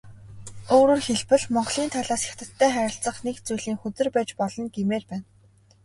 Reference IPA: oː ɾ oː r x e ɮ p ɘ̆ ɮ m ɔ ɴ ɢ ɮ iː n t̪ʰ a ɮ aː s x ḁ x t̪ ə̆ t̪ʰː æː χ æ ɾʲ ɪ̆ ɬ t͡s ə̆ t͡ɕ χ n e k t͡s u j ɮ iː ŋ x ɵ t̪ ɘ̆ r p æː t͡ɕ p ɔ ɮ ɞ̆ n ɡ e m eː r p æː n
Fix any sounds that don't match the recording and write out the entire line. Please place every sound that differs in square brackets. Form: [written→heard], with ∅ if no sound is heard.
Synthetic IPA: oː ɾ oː r x e ɮ p ɘ̆ ɮ m ɔ ɴ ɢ ɮ iː n t̪ʰ a ɮ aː s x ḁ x t̪ ə̆ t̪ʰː æː χ æ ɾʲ ɪ̆ ɬ t͡s ə̆ [t͡ɕ→∅] χ n e k t͡s u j ɮ iː ŋ x ɵ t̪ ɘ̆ r p æː t͡ɕ p ɔ ɮ ɞ̆ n ɡ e m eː r p æː n